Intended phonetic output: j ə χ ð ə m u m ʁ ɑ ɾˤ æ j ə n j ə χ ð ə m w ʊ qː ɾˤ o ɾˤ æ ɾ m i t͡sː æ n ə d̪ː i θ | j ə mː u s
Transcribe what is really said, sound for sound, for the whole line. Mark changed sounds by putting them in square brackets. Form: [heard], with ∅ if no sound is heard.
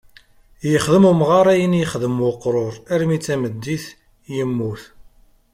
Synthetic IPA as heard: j ə χ ð ə m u m ʁ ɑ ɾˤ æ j ə n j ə χ ð ə m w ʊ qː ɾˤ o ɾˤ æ ɾ m i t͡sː æ [m] ə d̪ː i θ | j ə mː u [θ]